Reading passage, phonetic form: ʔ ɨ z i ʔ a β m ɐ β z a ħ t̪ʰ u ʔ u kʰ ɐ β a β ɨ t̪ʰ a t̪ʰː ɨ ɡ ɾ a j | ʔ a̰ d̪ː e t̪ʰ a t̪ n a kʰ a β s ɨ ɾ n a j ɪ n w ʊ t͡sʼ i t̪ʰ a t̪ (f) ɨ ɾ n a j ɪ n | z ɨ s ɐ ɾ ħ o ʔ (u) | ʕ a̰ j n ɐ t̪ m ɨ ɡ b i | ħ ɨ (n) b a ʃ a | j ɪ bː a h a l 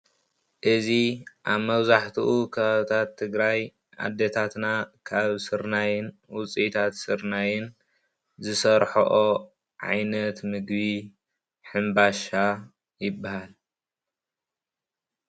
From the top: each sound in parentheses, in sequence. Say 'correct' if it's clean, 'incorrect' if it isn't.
incorrect, incorrect, incorrect

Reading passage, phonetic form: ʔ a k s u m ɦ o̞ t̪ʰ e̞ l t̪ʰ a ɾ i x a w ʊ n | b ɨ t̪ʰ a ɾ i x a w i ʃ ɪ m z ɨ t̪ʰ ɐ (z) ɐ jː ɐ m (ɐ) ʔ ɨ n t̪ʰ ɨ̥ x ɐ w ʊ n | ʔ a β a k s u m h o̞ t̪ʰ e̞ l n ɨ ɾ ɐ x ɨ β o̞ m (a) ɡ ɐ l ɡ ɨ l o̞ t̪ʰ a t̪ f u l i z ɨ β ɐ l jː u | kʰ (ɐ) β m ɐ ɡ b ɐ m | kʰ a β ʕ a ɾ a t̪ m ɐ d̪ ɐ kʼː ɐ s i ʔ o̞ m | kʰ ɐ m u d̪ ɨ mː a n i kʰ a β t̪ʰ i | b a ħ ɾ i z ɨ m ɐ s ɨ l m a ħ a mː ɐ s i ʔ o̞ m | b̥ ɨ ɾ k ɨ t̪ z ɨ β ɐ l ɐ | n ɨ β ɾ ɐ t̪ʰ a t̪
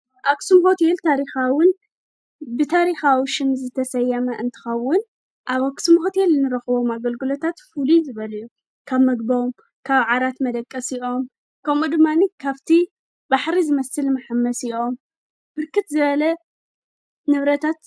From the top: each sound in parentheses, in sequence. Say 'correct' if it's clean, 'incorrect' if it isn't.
incorrect, correct, correct, incorrect

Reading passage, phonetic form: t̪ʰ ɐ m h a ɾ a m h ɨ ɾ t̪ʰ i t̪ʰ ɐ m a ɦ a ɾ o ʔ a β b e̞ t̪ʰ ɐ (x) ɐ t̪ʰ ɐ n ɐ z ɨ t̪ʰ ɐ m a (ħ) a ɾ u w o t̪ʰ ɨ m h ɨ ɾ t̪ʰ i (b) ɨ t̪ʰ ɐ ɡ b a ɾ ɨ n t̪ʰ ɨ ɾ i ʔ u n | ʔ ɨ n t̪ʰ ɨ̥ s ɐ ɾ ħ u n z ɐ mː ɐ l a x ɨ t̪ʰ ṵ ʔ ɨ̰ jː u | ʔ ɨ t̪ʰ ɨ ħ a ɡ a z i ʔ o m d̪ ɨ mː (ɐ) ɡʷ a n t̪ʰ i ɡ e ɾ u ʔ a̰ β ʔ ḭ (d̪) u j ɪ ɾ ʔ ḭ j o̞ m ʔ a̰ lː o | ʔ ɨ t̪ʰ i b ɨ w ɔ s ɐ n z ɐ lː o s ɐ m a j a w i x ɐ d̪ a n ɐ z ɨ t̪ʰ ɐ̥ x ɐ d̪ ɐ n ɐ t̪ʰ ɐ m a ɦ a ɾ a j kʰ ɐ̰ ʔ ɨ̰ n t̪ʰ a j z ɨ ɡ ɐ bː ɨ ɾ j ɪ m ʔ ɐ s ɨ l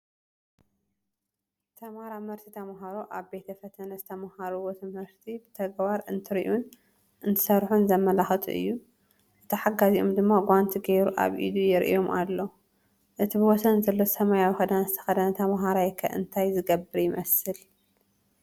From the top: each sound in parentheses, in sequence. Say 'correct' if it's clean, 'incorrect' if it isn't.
incorrect, incorrect, correct, incorrect, correct

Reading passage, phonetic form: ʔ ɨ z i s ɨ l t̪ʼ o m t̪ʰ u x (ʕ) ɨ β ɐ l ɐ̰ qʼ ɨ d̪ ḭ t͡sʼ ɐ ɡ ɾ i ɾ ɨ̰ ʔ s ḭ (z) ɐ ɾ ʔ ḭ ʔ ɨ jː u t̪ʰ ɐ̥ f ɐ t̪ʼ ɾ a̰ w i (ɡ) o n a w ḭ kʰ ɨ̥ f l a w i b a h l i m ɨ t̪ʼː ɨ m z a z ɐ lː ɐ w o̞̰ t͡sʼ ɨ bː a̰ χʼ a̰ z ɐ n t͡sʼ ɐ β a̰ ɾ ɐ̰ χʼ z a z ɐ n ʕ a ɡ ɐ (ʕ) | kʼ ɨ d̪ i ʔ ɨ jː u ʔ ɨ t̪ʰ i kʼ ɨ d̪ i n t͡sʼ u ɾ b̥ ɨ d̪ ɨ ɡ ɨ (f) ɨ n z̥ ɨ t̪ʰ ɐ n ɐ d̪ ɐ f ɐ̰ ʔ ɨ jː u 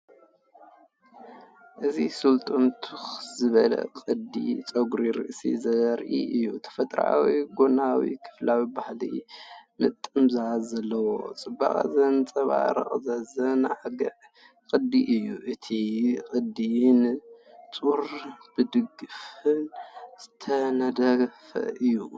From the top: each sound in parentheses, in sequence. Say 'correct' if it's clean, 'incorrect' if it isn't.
incorrect, correct, correct, correct, correct

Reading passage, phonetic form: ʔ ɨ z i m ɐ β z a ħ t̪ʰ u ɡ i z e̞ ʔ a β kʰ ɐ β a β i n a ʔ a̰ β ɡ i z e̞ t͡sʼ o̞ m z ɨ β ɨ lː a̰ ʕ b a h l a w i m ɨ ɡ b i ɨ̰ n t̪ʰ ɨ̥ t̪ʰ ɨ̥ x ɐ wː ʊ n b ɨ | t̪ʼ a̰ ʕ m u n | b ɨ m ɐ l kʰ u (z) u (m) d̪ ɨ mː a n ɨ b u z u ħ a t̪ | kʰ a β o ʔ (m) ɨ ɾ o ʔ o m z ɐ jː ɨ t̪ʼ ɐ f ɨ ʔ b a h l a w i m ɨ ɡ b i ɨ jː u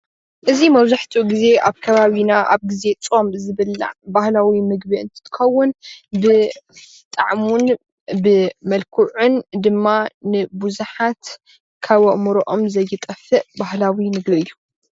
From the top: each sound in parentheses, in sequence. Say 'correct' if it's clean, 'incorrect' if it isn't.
incorrect, incorrect, correct

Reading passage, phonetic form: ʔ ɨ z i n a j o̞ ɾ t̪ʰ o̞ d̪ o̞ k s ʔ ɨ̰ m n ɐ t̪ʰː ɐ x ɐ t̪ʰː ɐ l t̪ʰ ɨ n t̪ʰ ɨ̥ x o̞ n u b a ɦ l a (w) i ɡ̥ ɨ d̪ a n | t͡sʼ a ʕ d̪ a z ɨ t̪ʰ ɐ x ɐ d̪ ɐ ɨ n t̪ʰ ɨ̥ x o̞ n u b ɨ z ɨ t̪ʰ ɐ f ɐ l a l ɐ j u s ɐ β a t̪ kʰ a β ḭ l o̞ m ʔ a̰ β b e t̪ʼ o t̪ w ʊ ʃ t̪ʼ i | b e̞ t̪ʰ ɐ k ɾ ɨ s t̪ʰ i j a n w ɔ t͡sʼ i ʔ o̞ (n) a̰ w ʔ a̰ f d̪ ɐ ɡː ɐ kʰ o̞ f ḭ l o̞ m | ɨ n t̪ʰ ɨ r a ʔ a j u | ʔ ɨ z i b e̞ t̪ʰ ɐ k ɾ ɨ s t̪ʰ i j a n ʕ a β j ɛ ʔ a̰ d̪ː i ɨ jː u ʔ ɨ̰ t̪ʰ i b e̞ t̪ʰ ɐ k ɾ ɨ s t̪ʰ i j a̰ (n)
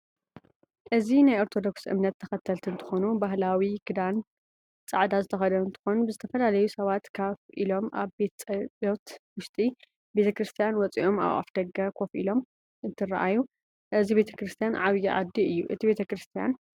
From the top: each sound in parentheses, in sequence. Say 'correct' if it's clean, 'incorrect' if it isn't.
correct, incorrect, correct

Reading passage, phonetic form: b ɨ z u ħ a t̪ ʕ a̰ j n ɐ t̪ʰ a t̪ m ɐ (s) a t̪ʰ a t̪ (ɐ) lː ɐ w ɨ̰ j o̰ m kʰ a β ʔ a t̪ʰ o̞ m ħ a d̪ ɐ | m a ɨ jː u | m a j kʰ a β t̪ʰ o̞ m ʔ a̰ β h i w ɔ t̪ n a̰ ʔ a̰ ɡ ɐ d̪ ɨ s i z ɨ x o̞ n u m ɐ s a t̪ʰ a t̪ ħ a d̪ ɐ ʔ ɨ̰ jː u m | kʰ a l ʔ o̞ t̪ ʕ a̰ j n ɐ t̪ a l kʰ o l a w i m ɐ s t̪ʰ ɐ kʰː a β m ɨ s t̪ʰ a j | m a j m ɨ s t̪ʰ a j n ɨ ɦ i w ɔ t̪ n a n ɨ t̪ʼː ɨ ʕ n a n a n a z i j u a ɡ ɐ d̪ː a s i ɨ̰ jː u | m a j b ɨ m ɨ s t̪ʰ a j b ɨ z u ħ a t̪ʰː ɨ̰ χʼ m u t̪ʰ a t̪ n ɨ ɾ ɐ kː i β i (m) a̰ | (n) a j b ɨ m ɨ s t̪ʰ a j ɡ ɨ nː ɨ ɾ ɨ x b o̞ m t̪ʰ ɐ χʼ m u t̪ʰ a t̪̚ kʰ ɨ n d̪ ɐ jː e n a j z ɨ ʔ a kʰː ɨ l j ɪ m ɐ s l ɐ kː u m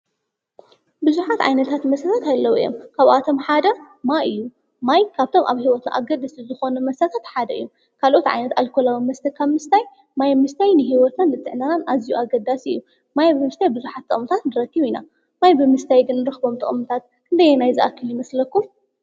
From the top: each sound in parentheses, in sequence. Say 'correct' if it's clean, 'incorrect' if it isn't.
correct, incorrect, incorrect, incorrect

